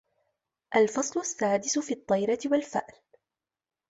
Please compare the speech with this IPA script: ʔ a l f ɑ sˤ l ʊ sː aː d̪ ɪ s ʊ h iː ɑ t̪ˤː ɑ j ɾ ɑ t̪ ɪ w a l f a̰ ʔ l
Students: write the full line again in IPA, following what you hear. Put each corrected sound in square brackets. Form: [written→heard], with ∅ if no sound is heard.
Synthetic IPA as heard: ʔ a l f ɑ sˤ l ʊ sː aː d̪ ɪ s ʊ [h→f] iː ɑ t̪ˤː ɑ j ɾ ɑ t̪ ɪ w a l f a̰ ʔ l